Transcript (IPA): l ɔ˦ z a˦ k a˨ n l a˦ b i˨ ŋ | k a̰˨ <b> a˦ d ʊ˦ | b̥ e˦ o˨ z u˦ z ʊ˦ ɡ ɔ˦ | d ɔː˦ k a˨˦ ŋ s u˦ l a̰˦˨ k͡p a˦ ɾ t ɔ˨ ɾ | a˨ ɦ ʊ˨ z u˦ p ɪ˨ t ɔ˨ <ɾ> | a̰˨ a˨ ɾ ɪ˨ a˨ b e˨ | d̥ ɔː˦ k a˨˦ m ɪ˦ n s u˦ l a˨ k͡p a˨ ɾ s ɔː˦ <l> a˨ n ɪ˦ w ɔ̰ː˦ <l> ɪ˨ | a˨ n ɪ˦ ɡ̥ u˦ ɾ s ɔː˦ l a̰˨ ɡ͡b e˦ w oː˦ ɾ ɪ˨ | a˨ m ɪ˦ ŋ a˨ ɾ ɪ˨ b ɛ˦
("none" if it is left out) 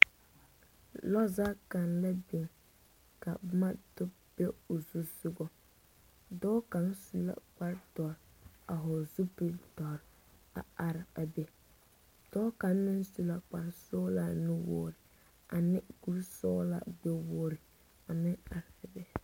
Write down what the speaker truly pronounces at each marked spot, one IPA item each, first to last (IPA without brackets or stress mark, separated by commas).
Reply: m, ɾ, l, ɾ